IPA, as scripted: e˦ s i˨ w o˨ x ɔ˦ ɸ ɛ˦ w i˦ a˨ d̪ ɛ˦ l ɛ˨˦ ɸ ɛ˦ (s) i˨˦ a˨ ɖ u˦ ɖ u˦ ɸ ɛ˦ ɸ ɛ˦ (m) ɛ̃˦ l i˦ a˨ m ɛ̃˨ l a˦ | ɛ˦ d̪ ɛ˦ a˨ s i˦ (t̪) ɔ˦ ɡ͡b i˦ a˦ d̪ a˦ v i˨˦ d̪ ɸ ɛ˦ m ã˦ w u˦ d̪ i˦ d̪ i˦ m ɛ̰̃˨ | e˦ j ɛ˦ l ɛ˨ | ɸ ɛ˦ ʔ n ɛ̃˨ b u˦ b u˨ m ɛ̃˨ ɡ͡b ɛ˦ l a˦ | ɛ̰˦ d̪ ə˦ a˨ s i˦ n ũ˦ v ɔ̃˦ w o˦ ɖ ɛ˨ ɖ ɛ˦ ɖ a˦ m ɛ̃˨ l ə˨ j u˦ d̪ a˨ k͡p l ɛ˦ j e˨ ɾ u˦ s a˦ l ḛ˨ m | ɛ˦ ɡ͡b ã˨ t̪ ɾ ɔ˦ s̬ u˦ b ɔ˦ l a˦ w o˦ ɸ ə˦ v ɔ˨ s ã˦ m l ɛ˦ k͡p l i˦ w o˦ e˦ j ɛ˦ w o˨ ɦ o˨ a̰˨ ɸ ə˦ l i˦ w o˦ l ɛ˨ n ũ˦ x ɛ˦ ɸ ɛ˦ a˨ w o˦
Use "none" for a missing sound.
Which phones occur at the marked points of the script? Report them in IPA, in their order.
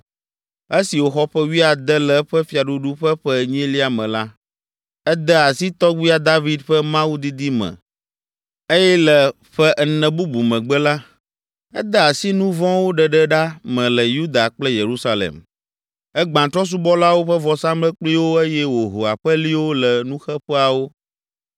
f, ɲ, t̪

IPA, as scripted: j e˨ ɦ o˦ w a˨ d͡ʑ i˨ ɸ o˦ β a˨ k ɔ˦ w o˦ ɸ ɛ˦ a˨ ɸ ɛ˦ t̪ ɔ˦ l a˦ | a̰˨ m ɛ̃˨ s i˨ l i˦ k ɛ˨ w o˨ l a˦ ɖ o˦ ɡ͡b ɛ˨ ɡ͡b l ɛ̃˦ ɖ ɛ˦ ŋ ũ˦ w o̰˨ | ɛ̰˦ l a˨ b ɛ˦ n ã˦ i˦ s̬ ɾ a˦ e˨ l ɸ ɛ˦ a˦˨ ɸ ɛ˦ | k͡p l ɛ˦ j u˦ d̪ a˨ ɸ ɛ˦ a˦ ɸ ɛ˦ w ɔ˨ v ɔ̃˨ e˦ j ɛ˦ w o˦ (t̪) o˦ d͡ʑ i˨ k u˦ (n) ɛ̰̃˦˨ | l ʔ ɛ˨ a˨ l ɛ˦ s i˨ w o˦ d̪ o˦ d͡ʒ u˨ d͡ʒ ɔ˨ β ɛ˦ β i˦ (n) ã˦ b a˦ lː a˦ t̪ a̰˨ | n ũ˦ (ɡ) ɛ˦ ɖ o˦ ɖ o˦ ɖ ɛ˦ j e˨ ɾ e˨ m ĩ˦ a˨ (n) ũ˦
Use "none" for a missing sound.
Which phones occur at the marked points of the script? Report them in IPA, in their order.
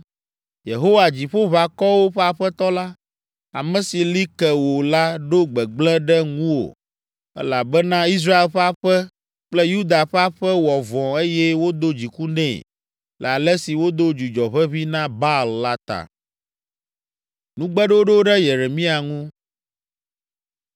d̪, n, n, ɡ͡b, ŋ

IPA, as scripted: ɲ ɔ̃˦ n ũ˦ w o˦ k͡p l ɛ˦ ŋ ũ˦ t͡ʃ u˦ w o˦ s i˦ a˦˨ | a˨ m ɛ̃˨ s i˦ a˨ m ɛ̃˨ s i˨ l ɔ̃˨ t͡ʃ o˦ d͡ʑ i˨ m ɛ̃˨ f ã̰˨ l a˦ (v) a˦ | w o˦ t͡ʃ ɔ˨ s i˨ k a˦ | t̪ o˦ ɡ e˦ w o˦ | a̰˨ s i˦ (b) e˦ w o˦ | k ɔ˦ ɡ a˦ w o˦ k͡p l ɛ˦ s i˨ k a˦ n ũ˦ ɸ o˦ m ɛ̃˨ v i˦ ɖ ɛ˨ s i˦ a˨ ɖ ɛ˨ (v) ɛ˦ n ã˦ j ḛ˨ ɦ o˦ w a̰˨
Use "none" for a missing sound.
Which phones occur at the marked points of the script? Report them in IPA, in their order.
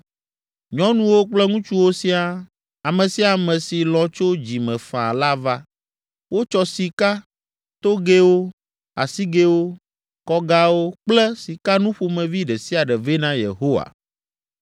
v, ɡ, v

